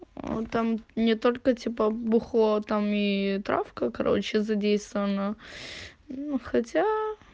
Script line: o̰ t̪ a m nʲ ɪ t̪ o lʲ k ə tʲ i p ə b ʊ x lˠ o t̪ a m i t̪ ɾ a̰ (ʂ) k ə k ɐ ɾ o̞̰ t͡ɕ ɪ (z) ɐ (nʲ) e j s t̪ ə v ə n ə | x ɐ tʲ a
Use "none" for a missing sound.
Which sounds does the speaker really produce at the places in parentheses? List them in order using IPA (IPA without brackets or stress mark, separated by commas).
f, z, dʲ